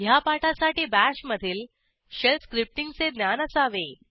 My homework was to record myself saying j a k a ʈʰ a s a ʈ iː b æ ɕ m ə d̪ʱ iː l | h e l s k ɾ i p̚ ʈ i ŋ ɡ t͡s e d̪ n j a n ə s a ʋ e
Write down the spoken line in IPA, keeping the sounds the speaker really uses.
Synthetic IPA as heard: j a p a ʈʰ a s a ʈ iː b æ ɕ m ə d̪ʱ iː l | ɕ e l s k ɾ i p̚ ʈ i ŋ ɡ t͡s e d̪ n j a n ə s a ʋ e